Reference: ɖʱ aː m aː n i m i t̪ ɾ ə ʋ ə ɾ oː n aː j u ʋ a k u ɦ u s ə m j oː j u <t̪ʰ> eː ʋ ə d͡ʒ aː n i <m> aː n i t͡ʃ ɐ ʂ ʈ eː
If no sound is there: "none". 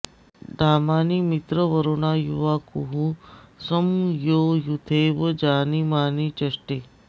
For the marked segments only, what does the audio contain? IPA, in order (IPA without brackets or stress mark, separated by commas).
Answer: t̪ʰ, m